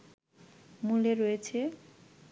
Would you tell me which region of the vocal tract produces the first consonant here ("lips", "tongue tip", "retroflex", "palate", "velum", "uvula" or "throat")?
lips